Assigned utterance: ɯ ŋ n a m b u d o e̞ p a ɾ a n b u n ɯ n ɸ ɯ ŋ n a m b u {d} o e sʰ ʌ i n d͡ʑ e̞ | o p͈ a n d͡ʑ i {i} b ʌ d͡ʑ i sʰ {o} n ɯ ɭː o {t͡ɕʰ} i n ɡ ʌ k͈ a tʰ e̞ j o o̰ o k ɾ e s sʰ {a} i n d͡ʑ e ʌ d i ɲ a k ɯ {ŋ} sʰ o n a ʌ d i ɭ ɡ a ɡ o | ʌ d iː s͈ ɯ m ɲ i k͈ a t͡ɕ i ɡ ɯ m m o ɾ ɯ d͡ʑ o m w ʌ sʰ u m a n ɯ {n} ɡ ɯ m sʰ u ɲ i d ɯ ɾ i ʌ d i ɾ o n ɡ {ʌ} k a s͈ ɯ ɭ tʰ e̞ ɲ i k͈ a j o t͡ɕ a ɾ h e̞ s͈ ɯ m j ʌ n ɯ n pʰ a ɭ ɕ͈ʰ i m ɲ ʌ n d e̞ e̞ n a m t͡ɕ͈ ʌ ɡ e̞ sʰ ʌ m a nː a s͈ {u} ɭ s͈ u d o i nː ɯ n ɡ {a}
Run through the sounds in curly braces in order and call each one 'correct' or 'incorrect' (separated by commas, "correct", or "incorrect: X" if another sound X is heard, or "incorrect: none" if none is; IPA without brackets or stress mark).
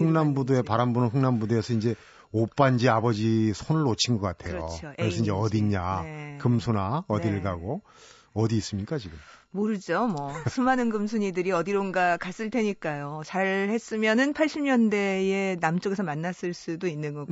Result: correct, incorrect: a, correct, correct, incorrect: ʌ, incorrect: m, correct, incorrect: a, incorrect: ɯ, incorrect: ʌ